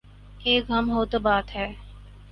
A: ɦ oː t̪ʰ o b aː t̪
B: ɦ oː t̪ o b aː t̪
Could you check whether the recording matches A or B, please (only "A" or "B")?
B